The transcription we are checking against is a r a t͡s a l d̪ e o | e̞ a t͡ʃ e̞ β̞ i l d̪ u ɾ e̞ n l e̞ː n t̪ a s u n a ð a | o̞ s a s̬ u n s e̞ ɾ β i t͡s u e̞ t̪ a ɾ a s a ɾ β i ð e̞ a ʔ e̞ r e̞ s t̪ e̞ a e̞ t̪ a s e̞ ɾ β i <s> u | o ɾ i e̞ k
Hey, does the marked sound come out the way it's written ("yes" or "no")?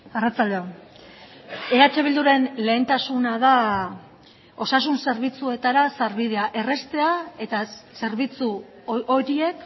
no